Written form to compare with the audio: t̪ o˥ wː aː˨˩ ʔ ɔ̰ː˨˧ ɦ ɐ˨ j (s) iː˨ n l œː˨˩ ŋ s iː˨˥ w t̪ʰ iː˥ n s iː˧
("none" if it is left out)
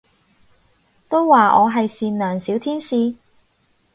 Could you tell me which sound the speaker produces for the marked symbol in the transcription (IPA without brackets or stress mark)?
s